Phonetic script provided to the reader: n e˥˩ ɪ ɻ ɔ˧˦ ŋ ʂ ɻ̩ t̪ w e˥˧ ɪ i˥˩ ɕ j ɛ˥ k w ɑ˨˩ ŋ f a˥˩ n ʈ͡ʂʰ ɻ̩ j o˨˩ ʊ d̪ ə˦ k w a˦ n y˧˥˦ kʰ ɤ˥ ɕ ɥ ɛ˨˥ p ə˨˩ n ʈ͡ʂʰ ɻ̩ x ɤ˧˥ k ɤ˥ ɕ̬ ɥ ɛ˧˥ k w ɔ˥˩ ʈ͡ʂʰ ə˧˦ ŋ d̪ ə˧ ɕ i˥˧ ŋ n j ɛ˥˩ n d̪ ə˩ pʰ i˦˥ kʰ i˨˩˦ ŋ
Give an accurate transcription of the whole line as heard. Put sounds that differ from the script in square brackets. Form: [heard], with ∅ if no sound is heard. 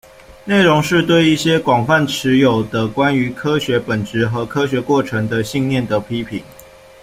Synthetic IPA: n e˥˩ ɪ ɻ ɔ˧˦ ŋ ʂ ɻ̩ t̪ w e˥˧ ɪ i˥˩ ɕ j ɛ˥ k w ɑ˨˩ ŋ f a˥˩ n ʈ͡ʂʰ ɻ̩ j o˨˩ ʊ d̪ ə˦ k w a˦ n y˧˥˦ kʰ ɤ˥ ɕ ɥ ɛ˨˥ p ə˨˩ n [ʈ͡ʂ] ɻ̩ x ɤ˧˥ [kʰ] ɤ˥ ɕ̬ ɥ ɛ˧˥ k w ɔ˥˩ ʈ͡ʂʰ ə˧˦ ŋ d̪ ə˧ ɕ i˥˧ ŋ n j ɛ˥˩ n d̪ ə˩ pʰ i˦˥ [pʰ] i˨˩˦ ŋ